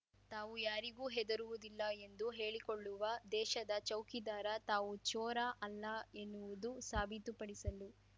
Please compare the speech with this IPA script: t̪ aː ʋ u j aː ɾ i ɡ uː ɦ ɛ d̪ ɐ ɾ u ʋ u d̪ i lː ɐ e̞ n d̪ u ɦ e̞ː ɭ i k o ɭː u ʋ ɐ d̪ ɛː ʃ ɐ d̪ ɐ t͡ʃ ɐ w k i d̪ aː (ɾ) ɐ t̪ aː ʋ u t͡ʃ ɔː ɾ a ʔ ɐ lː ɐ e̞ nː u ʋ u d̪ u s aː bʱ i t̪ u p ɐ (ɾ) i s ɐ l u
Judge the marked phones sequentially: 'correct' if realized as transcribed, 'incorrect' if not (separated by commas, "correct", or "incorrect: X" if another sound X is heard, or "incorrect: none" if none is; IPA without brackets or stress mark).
correct, incorrect: ɽ